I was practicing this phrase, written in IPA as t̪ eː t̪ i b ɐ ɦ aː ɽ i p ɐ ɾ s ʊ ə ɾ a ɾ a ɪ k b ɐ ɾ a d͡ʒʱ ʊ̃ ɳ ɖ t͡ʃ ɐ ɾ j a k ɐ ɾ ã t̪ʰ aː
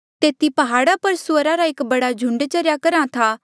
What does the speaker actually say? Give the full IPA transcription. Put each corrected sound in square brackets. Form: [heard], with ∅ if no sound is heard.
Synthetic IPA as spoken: t̪ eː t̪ i [p] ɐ ɦ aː ɽ [a] p ɐ ɾ s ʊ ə ɾ a ɾ a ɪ k b ɐ [ɽ] a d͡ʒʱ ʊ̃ ɳ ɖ t͡ʃ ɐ ɾ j a k ɐ ɾ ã t̪ʰ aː